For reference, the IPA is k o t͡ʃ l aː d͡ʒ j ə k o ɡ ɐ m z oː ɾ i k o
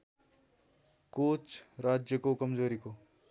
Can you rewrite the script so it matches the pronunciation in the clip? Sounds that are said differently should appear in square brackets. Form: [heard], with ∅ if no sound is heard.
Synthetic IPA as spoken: k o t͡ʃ [ɾ] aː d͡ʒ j ə k o [k] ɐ m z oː ɾ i k o